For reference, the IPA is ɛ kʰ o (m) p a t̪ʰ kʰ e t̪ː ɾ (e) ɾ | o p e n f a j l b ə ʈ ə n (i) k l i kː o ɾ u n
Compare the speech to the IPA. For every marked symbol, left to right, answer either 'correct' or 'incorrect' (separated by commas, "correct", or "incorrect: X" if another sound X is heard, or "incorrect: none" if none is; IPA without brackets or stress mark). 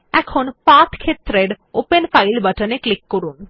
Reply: incorrect: n, correct, incorrect: e